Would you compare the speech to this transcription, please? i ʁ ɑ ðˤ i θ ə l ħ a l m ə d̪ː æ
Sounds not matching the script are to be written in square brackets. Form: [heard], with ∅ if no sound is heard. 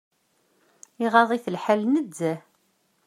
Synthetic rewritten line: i ʁ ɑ ðˤ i θ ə l ħ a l [n] ə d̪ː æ